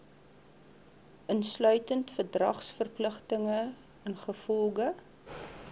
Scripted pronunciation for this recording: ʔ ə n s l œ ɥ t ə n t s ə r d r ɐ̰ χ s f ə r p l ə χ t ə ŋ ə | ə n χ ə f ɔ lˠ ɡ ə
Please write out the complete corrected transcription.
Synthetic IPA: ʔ ə n s l œ ɥ t ə n t f ə r d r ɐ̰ χ s f ə r p l ə χ t ə ŋ ə | ə n χ ə f ɔ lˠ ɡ ə